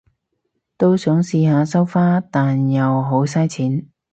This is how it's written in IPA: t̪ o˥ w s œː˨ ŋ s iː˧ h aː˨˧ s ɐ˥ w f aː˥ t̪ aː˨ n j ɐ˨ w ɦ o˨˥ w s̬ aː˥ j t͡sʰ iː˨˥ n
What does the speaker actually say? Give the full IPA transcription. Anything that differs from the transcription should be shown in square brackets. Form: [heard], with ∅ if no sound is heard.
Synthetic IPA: t̪ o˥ w s [œː˨˥] ŋ s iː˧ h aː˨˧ s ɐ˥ w f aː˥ t̪ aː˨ n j ɐ˨ w ɦ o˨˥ w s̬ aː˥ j t͡sʰ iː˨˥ n